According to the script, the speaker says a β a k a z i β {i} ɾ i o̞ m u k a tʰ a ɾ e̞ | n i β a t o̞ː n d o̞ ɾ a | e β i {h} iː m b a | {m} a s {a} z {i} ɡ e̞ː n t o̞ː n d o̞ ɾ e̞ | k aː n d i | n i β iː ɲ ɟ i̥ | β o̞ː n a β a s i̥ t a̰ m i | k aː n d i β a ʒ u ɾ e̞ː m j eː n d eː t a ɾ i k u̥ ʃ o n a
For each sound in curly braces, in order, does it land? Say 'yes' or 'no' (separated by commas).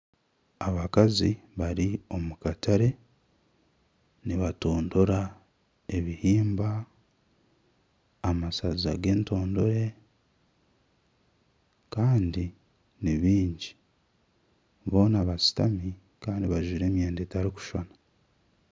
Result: no, yes, yes, yes, no